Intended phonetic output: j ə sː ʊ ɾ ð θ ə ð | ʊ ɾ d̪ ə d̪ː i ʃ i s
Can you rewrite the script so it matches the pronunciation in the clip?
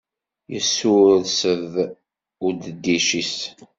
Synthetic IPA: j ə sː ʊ ɾ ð s ə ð | ʊ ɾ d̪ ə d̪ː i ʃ i s